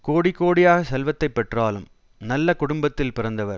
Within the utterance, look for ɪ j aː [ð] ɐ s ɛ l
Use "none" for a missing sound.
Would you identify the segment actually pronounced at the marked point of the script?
ɣ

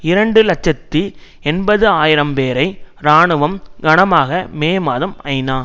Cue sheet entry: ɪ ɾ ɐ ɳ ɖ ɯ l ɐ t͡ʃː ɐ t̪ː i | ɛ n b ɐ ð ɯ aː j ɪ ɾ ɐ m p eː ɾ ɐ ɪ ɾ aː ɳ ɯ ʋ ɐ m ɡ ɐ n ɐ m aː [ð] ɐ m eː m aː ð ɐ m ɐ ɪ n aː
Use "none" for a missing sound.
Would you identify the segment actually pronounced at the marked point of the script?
ɣ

